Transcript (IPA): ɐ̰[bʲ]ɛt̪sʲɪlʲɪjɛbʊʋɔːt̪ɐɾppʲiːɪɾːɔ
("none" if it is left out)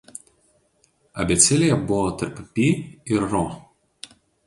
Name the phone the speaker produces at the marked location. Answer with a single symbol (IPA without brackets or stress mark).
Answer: bʲ